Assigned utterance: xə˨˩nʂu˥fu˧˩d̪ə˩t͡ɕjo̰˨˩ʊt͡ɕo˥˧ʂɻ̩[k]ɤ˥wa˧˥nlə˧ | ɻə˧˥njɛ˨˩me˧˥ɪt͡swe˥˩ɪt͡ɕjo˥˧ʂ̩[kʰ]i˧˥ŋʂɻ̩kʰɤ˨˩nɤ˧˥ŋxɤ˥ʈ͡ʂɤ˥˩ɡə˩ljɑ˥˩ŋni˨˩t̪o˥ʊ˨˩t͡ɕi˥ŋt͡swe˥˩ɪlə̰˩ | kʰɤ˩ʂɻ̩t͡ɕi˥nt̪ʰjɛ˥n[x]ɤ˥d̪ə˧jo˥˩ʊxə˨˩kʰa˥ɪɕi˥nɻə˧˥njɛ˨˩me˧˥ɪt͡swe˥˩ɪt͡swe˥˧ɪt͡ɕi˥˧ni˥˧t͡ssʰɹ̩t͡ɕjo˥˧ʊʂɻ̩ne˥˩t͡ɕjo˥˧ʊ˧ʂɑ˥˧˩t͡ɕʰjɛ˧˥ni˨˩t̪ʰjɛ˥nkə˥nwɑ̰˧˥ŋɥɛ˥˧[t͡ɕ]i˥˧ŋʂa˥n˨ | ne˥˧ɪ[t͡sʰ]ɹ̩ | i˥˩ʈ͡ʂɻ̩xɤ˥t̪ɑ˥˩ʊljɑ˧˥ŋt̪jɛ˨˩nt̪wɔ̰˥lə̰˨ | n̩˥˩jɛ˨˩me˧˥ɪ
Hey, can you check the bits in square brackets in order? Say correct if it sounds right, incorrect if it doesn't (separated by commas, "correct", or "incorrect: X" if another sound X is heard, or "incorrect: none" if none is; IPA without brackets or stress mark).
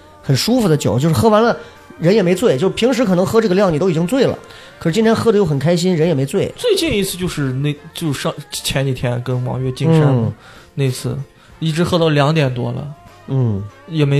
incorrect: x, incorrect: pʰ, correct, correct, correct